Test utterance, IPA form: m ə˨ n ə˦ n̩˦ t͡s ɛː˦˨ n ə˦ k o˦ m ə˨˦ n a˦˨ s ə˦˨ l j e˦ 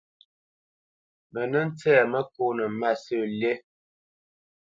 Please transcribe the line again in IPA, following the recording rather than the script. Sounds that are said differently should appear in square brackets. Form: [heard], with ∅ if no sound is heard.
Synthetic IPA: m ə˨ n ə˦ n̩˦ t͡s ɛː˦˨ [m] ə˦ k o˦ [n] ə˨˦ [m] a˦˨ s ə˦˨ l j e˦